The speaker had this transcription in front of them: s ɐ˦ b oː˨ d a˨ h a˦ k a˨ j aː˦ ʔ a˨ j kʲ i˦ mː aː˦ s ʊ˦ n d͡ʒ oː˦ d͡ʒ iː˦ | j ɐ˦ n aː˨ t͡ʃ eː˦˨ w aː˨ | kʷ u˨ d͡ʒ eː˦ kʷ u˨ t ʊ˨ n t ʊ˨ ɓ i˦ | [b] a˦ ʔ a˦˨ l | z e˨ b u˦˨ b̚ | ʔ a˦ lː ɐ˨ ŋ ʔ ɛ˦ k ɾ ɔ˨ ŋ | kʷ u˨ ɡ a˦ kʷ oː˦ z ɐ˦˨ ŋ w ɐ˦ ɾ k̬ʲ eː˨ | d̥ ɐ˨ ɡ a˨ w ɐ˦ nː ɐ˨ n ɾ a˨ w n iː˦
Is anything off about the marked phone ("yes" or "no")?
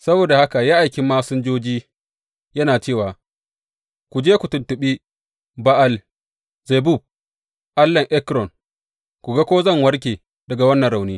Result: no